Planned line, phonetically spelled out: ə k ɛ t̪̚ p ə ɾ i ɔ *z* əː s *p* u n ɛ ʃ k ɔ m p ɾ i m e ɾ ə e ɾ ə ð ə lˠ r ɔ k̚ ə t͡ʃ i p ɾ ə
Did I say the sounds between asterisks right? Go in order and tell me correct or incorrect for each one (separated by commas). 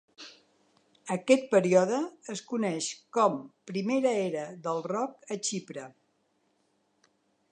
incorrect, incorrect